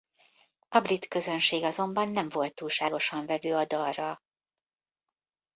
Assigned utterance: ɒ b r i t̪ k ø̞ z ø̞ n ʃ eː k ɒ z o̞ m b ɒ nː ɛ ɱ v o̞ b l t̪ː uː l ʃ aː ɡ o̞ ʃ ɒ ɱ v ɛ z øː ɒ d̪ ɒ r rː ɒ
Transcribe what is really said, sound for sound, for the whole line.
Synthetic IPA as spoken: ɒ b r i t̪ k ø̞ z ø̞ n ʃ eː ɡ ɒ z o̞ m b ɒ nː ɛ ɱ v o̞ l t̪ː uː l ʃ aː ɡ o̞ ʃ ɒ ɱ v ɛ v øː ɒ d̪ ɒ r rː ɒ